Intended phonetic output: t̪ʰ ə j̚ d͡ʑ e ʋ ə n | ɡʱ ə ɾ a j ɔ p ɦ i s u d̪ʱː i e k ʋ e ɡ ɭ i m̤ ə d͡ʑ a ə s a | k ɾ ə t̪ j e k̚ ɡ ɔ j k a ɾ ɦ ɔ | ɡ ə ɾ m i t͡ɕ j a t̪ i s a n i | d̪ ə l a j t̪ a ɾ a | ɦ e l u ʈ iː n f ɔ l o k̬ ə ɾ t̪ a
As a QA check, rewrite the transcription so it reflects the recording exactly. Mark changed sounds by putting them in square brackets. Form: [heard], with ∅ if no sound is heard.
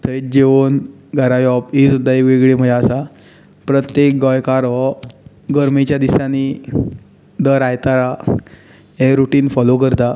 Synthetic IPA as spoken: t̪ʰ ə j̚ d͡ʑ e ʋ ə n | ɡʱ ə ɾ a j ɔ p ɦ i s u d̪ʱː [a] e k ʋ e ɡ ɭ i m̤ ə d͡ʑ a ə s a | [p] ɾ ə t̪ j e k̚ ɡ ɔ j k a ɾ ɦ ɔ | ɡ ə ɾ m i t͡ɕ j a [d̪] i s a n i | d̪ ə [ɾ] a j t̪ a ɾ a | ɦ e [ɾ] u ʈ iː n f ɔ l o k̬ ə ɾ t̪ a